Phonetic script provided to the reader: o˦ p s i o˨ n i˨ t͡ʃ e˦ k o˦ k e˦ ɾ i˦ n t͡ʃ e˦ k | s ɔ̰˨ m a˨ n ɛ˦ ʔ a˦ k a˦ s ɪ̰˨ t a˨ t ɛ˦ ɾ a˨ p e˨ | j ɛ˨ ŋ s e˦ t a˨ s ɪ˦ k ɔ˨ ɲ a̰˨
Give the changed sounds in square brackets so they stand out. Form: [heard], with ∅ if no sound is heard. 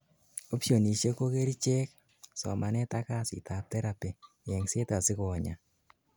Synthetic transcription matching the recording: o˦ p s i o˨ n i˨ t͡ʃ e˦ k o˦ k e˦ ɾ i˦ [∅] t͡ʃ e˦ k | s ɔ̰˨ m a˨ n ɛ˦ [t] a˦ k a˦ s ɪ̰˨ t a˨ t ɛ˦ ɾ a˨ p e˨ | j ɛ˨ ŋ s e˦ t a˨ s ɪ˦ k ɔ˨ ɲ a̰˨